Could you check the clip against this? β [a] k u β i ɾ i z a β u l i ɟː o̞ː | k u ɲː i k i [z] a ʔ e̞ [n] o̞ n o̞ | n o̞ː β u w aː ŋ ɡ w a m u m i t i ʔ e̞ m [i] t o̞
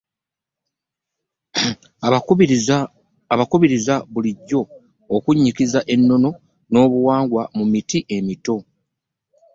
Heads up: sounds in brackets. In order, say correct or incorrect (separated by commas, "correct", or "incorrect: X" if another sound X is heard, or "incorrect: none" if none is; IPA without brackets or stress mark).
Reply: correct, correct, incorrect: nː, correct